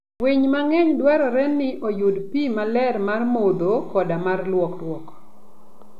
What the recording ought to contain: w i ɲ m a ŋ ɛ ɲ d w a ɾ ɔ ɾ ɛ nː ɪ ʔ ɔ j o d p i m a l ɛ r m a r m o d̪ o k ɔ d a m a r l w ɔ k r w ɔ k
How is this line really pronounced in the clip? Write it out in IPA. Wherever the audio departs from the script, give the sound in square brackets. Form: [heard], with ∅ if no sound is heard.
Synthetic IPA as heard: w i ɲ m a ŋ ɛ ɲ d w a ɾ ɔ ɾ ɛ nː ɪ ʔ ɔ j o d p i m a l ɛ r m a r m o d̪ o k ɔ d a m a r l w ɔ k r w ɔ k